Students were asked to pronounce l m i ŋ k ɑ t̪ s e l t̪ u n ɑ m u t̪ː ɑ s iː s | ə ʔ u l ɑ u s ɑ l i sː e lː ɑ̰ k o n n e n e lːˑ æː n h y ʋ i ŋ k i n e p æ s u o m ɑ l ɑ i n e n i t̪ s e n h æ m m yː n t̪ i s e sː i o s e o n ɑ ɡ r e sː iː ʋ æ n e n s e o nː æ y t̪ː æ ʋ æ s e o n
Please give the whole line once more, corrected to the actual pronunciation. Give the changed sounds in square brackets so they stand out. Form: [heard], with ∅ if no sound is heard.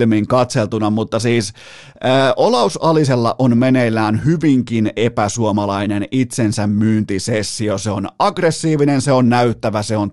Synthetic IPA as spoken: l m i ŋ k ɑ t̪ s e l t̪ u n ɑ m u t̪ː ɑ s iː s | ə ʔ [o] l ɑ u s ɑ l i [s] e lː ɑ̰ [ʔ] o n [m] e n e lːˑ æː n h y ʋ i ŋ k i n e p æ s u o m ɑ l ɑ i n e n i t̪ s e n [s] æ m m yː n t̪ i s e sː i o s e o n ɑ ɡ r e sː iː ʋ [i] n e n s e o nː æ y t̪ː æ ʋ æ s e o n